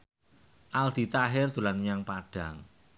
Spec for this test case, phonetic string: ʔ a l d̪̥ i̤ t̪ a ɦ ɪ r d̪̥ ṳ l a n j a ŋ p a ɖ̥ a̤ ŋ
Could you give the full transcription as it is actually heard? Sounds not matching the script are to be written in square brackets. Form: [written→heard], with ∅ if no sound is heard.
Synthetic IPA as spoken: ʔ a l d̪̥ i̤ t̪ a ɦ ɪ r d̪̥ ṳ l a n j a ŋ p a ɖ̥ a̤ ŋ